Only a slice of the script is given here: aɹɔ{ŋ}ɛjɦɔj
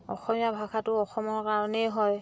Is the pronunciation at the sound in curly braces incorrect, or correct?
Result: incorrect